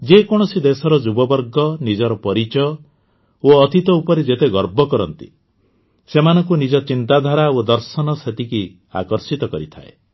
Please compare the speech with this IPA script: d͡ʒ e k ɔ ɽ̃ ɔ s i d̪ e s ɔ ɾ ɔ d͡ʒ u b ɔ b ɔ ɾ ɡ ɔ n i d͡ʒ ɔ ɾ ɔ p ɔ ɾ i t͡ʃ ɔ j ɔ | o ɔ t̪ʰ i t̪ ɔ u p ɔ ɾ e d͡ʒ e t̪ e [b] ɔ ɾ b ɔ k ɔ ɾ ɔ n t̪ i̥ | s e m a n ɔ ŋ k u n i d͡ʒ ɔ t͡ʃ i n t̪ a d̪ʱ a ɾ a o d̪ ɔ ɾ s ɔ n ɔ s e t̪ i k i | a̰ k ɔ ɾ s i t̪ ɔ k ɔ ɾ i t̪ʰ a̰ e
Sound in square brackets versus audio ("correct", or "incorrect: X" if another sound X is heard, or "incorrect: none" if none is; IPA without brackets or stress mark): incorrect: ɡ